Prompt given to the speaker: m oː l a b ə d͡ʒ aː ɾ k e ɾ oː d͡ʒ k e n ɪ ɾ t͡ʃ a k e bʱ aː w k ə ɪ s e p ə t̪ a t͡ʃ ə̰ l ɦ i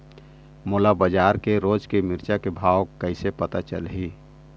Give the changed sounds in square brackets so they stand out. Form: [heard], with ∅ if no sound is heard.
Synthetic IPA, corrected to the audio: m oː l a b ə d͡ʒ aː ɾ k e ɾ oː d͡ʒ k e [m] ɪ ɾ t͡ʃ a k e bʱ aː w k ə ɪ s e p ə t̪ a t͡ʃ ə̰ l ɦ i